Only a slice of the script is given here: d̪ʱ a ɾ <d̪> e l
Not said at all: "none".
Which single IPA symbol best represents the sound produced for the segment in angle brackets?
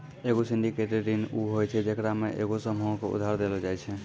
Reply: d̪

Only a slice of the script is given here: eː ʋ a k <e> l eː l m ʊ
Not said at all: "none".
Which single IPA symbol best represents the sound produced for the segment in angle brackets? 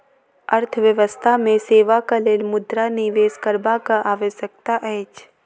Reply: a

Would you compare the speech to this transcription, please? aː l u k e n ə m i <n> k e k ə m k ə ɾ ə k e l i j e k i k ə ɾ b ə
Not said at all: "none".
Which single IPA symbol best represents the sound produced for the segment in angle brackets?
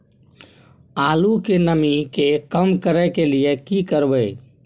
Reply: none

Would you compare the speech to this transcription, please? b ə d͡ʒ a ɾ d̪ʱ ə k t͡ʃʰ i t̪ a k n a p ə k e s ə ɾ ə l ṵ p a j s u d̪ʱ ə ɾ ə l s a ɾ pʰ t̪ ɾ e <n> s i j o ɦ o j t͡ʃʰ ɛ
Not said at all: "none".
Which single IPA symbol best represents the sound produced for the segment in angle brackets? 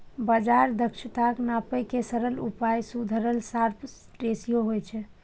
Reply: none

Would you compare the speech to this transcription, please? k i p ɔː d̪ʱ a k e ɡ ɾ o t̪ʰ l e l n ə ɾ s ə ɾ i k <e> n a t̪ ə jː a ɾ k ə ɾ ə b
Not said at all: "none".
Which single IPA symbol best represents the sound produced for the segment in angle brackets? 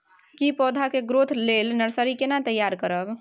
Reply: e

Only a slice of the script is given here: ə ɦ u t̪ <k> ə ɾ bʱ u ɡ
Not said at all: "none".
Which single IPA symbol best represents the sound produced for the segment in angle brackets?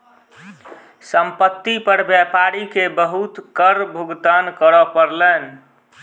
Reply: k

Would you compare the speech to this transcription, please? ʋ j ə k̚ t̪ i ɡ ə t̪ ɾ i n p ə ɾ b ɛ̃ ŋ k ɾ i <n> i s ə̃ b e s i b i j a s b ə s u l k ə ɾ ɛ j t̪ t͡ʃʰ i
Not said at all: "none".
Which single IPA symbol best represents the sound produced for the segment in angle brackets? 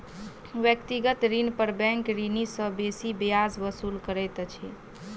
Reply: n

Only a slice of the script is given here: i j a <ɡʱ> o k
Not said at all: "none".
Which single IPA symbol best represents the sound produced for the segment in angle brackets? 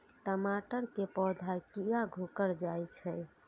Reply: ɡʱ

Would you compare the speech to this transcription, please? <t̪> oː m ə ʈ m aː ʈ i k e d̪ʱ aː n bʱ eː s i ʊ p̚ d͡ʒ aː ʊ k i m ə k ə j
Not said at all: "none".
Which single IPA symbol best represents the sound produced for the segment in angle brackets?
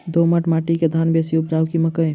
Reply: d̪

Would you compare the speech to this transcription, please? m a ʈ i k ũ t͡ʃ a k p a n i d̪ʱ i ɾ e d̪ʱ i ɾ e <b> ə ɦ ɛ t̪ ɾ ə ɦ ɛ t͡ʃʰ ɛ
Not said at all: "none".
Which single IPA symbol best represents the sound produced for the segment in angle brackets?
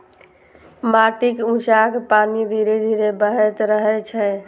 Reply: b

